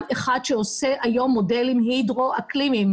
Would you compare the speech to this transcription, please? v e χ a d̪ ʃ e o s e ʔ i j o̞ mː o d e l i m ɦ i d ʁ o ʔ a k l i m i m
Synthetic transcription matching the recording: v e χ a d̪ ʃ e o s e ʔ a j o̞ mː o d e l i m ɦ i d ʁ o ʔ a k l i m i m